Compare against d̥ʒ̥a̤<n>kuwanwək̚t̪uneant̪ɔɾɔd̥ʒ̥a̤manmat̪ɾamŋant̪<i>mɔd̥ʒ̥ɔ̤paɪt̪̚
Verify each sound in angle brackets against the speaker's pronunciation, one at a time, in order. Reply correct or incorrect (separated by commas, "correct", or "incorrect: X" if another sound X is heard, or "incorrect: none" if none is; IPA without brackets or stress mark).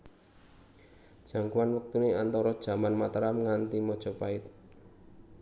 incorrect: ŋ, correct